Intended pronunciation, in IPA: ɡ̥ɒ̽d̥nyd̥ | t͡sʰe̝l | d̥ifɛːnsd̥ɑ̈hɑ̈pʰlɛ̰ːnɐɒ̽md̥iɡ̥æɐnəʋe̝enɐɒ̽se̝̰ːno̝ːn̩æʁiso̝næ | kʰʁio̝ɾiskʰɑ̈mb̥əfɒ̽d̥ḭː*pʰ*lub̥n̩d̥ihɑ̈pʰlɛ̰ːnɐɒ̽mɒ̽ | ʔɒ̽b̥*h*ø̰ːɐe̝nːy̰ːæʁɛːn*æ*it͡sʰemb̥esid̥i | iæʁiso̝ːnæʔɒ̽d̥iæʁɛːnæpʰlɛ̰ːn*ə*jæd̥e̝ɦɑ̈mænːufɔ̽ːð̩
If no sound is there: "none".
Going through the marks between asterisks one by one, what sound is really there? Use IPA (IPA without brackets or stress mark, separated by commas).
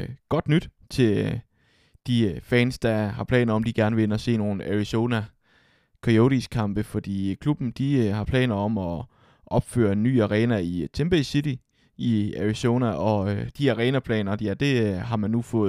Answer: kʰ, f, æ, ɐ